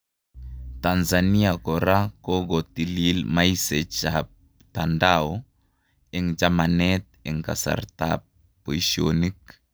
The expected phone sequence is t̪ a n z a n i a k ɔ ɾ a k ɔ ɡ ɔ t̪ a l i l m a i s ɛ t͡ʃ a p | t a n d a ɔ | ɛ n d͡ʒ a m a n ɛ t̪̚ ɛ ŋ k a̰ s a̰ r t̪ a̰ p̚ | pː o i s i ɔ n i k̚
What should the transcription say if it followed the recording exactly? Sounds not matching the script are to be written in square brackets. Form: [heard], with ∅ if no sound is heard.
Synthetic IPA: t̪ a n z a n i a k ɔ ɾ a k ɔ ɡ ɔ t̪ [i] l i l m a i s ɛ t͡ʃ a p | t a n d a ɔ | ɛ [ŋ] d͡ʒ a m a n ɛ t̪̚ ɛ ŋ k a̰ s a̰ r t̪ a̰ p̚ | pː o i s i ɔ n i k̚

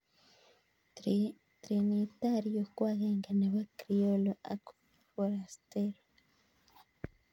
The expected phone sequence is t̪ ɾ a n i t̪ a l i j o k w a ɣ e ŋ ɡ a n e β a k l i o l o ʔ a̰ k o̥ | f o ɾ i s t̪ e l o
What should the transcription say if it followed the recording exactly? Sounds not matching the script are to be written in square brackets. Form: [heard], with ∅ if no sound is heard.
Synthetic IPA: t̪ ɾ [i] n i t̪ a [ɾ] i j o k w a ɣ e ŋ ɡ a n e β a k [ɾ] i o l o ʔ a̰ k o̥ | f o ɾ [a] s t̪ e [ɾ] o

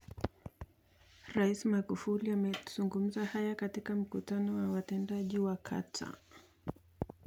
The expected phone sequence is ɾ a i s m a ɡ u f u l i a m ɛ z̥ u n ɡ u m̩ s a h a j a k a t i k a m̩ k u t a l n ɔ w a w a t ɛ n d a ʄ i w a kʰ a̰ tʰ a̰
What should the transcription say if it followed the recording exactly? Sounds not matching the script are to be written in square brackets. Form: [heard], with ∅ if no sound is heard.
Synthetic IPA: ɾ a i s m a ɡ u f u l i a m ɛ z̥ u [ŋ] ɡ u m̩ [z] a h a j a k a t i k a m̩ k u t a [∅] n ɔ w a w a t ɛ n d a ʄ i w a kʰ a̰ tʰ a̰

